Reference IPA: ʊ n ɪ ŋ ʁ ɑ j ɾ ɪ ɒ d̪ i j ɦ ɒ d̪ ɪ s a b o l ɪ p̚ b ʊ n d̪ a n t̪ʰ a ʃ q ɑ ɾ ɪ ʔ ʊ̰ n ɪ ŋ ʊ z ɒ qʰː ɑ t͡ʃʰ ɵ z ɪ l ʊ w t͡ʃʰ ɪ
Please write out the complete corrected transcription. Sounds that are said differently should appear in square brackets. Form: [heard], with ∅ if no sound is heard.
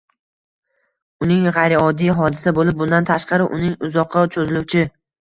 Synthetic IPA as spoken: ʊ n ɪ ŋ ʁ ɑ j ɾ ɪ ɒ d̪ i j ɦ ɒ d̪ ɪ s a b o l ɪ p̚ b ʊ n d̪ a n t̪ʰ a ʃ q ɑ ɾ ɪ ʔ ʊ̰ n ɪ ŋ ʊ z ɒ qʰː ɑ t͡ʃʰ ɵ z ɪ l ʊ w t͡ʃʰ ɪ